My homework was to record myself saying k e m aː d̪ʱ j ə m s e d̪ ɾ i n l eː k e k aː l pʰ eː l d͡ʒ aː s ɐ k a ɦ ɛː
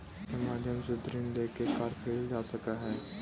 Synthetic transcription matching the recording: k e m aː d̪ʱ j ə m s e d̪ ɾ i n l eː k e k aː ɾ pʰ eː l d͡ʒ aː s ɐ k a ɦ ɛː